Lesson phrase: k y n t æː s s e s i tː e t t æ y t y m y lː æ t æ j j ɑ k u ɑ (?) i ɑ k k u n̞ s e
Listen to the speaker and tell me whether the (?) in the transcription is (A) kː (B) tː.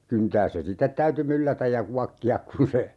A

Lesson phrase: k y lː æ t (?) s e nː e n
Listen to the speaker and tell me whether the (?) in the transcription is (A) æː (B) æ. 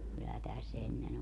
B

